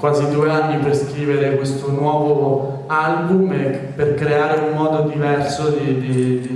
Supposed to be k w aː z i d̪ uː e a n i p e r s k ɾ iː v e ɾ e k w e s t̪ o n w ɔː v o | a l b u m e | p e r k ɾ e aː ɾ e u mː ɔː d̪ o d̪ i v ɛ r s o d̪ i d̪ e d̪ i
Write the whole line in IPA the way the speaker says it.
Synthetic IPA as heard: k w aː z i d̪ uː e a nː i p e r s k ɾ iː v e ɾ e k w e s t̪ o n w ɔː v o | a l b u m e | p e r k ɾ e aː ɾ e u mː ɔː d̪ o d̪ i v ɛ r s o d̪ i d̪ i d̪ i